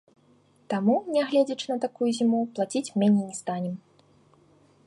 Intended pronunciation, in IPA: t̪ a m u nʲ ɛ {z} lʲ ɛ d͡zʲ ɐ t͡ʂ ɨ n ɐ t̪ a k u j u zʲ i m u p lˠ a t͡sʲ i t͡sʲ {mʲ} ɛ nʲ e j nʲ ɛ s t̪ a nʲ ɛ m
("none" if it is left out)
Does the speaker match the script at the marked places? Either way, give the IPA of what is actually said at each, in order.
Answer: ɣ, mʲ

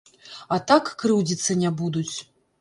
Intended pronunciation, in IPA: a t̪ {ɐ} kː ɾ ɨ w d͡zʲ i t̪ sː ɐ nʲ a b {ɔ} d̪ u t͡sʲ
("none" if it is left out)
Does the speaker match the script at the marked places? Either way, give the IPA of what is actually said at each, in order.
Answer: a, u

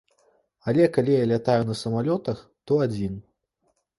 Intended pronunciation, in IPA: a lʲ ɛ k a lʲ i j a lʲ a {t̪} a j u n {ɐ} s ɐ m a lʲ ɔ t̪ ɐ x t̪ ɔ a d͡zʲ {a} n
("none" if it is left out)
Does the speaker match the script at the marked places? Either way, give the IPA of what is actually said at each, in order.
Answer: t̪, ɐ, i

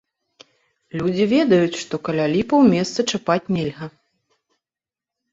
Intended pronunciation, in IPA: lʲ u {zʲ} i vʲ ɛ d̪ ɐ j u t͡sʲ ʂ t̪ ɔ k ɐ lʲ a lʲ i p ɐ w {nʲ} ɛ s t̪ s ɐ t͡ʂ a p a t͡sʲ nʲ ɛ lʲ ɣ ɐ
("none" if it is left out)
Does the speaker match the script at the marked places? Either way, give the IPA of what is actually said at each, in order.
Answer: d͡zʲ, mʲ

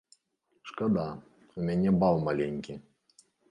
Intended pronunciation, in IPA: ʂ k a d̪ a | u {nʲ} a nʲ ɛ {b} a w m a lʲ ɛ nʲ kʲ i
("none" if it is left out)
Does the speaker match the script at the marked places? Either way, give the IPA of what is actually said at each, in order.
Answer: mʲ, b

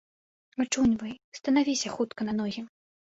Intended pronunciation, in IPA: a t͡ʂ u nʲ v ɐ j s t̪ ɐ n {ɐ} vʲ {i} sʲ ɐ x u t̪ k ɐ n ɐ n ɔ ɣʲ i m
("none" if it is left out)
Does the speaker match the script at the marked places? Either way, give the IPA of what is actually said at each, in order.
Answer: a, i

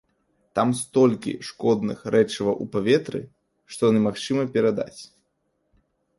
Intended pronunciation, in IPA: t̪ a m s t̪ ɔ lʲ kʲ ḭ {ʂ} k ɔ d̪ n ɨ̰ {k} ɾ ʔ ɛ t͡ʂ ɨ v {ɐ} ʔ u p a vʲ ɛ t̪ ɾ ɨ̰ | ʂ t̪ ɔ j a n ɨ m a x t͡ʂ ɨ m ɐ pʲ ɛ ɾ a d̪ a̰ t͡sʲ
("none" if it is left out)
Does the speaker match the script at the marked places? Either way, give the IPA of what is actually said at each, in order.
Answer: ʂ, x, ɐ

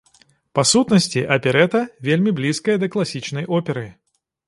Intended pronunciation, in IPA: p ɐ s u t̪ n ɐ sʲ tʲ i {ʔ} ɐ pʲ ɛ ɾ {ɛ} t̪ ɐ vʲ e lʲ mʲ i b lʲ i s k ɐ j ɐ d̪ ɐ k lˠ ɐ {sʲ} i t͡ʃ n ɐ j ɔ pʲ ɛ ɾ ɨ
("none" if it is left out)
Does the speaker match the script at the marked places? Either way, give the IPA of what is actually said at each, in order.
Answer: ʔ, ɛ, sʲ

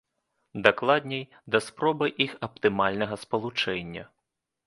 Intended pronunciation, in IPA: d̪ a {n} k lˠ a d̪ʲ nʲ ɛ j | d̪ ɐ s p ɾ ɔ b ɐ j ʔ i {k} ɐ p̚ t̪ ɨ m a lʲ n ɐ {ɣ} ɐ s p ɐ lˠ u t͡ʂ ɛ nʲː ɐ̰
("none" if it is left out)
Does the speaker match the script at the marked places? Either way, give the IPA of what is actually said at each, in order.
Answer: none, x, ɣ

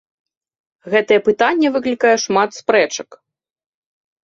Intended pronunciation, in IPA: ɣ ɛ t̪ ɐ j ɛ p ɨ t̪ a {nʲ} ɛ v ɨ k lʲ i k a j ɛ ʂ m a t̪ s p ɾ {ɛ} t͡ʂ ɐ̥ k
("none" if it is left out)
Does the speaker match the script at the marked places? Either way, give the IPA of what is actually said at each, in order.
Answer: nʲː, ɛ

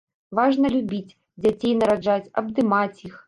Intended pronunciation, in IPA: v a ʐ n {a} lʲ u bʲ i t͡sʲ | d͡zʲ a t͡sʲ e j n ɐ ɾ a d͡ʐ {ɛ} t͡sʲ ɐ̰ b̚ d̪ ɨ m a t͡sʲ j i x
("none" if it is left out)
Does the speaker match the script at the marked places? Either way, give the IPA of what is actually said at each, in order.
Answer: ɐ, a

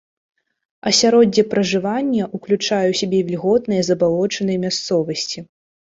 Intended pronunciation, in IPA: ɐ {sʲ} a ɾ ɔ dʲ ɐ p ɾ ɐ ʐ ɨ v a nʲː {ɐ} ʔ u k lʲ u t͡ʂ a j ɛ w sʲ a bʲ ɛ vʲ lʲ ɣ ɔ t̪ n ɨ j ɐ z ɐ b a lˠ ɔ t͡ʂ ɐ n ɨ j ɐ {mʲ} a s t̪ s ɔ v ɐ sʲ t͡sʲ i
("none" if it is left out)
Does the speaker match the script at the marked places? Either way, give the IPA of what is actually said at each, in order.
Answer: sʲ, ɐ, mʲ

